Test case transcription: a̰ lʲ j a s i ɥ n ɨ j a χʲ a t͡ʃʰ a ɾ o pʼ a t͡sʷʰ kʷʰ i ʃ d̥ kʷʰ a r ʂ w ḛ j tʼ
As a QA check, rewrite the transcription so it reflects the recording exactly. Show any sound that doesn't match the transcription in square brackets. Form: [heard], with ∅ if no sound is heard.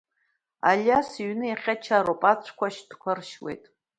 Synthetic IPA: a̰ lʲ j a s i ɥ n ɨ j a χʲ a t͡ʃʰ a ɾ o pʼ a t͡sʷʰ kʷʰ [a] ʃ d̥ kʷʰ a r [ʃ] w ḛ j tʼ